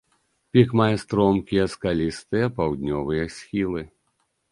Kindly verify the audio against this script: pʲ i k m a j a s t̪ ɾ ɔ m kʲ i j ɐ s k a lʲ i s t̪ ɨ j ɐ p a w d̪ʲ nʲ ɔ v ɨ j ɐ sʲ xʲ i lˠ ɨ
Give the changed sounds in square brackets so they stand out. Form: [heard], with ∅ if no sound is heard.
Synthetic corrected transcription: pʲ i k m a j [ɛ] s t̪ ɾ ɔ m kʲ i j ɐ s k a lʲ i s t̪ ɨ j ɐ p a w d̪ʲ nʲ ɔ v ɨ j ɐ sʲ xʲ i lˠ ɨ